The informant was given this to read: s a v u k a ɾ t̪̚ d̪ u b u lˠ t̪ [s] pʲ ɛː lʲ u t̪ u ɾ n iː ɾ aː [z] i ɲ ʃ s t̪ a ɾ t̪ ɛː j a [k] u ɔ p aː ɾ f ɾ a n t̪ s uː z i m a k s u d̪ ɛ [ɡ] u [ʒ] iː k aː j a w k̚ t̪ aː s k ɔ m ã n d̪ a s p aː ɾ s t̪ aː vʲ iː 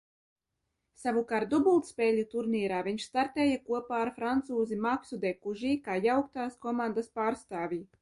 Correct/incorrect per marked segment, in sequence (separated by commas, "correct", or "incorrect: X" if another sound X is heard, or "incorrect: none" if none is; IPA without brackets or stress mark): correct, incorrect: v, correct, incorrect: k, correct